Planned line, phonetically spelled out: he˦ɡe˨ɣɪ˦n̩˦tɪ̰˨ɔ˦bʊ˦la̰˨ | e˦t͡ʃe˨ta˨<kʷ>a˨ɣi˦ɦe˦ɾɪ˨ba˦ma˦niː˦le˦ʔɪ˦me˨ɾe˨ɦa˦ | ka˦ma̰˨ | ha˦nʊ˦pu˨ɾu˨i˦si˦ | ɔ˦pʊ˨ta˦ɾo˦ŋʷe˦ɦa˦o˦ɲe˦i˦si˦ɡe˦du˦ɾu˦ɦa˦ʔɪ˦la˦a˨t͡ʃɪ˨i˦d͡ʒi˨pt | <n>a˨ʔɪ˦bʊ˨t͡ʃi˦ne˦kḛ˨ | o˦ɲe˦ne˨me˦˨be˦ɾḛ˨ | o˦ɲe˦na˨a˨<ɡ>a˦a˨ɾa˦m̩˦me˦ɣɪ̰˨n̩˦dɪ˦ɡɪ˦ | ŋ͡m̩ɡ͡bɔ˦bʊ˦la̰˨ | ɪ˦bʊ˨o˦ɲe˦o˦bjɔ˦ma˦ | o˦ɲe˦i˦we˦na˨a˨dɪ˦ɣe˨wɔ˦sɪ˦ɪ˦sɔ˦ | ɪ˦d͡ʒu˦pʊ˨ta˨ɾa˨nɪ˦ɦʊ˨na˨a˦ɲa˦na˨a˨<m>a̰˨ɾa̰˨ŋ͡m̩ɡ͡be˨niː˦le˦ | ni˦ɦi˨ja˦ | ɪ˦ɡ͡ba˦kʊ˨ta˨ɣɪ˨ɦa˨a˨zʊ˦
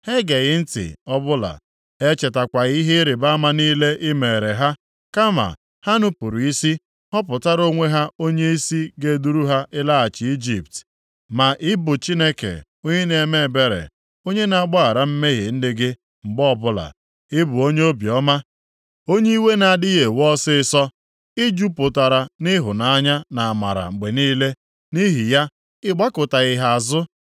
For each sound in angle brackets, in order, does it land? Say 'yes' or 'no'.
yes, no, no, yes

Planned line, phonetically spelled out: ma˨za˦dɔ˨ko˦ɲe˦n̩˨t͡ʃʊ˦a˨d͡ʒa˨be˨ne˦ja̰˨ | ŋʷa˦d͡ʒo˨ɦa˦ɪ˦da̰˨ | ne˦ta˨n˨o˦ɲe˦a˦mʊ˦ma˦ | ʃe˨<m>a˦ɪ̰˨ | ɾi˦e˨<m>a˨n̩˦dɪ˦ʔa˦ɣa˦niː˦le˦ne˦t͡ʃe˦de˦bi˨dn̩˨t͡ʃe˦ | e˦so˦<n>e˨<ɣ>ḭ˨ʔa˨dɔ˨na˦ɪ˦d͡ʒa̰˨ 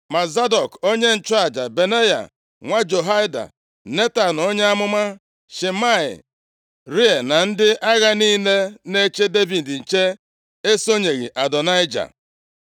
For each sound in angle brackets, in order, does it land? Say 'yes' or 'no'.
yes, no, no, yes

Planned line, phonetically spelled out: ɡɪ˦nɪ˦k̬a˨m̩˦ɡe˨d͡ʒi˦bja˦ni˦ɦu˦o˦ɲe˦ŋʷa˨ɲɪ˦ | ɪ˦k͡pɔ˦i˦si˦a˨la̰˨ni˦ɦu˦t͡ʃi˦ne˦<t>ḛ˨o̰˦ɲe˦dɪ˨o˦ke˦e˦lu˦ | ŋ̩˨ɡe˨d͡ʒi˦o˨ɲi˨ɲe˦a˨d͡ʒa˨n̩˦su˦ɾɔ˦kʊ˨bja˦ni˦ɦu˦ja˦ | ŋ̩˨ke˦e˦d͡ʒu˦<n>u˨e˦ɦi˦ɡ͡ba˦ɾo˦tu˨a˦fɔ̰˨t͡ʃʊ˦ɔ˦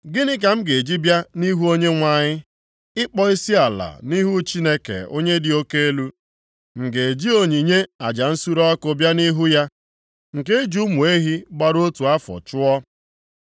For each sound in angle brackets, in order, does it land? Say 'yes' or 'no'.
no, no

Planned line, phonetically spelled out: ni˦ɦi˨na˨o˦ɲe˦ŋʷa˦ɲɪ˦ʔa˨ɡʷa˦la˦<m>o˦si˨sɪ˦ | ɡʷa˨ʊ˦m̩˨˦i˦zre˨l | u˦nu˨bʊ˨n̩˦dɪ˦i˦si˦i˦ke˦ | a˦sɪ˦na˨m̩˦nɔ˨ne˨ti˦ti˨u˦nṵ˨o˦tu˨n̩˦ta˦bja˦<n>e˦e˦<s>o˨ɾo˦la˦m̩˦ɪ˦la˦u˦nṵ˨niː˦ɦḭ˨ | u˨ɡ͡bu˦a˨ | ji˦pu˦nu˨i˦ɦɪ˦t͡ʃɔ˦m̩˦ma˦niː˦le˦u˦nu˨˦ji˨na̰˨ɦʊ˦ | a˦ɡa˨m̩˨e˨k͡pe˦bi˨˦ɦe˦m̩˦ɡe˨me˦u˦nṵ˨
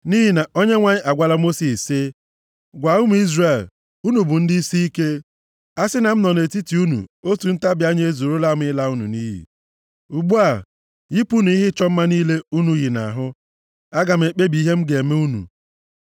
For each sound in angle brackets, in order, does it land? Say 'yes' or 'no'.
yes, no, no

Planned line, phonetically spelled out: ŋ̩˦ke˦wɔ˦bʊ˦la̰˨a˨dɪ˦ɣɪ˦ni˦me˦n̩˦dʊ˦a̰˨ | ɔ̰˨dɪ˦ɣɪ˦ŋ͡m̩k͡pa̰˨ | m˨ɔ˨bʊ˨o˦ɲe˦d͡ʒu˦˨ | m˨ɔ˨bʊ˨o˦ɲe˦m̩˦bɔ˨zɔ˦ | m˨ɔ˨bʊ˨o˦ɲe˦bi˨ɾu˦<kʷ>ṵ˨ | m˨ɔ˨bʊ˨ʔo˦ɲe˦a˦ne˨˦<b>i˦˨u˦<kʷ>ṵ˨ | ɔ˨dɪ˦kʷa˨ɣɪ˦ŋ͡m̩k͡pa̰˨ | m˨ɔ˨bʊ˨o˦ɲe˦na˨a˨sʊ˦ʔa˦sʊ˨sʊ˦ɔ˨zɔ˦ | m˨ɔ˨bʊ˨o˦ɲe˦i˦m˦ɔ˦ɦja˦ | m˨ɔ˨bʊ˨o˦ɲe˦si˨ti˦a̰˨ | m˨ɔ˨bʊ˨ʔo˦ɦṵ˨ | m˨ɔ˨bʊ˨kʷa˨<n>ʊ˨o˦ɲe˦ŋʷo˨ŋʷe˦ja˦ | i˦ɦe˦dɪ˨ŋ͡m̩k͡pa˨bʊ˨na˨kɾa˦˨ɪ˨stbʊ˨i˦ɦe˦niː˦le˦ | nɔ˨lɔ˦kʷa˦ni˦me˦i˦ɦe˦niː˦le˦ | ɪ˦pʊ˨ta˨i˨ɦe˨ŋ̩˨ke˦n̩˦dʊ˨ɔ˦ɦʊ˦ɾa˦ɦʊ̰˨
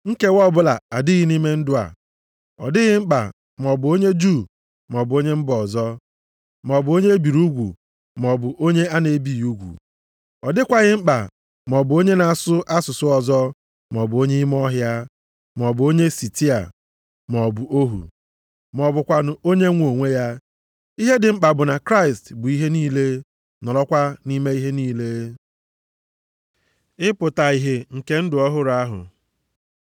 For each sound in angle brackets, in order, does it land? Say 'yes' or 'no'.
no, yes, no, yes

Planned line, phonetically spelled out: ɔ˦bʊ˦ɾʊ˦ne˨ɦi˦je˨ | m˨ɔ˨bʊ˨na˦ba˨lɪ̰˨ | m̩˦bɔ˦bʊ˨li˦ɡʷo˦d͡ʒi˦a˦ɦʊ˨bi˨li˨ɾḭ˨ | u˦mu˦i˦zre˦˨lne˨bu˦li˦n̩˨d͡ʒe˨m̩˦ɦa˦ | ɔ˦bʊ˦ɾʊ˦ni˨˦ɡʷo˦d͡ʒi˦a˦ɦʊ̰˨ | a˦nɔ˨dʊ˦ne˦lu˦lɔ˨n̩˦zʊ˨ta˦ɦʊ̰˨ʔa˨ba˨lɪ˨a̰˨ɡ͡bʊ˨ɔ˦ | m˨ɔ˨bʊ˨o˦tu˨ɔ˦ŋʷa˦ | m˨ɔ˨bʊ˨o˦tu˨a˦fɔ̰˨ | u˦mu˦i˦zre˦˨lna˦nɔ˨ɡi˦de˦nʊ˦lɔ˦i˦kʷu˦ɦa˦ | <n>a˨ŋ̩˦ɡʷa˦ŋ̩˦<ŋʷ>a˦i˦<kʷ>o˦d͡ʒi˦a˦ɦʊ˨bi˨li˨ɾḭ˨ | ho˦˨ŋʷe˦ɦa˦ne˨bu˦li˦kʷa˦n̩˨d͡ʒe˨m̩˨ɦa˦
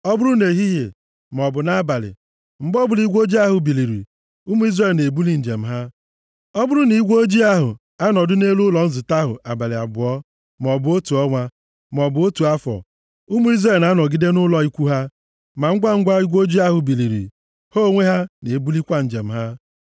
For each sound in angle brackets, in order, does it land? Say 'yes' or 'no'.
no, no, no

